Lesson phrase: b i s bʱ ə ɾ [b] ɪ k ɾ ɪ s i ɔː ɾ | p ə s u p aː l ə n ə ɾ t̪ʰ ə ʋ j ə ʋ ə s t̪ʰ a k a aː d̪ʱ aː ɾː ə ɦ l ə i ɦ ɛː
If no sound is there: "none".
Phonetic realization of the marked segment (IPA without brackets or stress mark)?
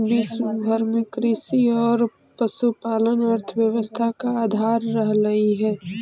m